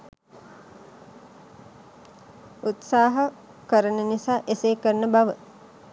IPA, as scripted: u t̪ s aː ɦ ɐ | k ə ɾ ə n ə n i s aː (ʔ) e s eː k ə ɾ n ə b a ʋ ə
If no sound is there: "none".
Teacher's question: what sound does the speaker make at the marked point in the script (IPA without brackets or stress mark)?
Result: ʔ